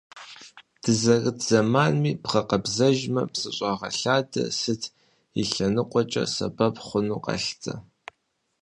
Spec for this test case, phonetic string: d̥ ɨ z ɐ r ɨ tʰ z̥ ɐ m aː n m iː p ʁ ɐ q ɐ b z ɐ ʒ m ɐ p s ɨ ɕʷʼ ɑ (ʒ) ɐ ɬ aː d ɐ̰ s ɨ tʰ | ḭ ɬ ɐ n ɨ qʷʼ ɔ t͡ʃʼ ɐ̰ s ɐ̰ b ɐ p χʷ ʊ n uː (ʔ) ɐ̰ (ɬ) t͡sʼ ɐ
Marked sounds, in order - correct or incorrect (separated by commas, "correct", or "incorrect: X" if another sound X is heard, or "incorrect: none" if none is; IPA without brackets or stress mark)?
incorrect: ʁ, incorrect: q, correct